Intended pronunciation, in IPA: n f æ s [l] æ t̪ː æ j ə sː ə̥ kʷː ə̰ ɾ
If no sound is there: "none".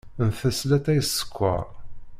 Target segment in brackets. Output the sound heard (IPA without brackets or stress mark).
l